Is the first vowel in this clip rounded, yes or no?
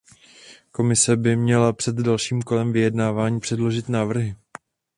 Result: yes